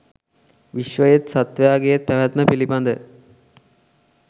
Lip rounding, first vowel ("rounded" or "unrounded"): unrounded